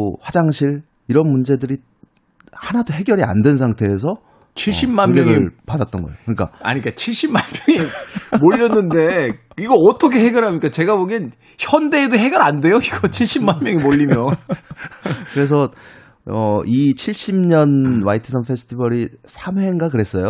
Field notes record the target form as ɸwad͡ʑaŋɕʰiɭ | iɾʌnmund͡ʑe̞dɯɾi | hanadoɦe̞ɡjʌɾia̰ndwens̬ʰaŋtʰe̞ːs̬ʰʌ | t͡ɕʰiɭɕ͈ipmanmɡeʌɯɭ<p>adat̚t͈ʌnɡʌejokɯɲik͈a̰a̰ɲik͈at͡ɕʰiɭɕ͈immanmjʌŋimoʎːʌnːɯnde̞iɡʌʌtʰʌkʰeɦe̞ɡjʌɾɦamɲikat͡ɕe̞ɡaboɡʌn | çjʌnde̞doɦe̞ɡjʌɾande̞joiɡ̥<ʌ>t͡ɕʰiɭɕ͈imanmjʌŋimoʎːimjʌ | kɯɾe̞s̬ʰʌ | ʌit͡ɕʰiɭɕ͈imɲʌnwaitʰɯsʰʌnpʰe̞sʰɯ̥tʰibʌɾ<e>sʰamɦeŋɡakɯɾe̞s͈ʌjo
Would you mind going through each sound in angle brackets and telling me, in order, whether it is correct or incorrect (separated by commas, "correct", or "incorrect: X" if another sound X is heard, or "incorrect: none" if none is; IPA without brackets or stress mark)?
correct, correct, incorrect: i